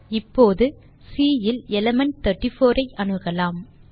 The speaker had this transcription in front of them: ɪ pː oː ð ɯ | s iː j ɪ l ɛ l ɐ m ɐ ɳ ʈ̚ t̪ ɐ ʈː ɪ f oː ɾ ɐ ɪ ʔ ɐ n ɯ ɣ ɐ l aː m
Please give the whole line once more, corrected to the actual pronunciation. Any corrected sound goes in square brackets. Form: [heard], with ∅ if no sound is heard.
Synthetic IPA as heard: ɪ pː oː ð ɯ | s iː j ɪ l ɛ l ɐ m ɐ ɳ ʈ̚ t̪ ɐ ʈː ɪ f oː ɾ ɐ ɪ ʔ ɐ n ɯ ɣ ɐ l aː m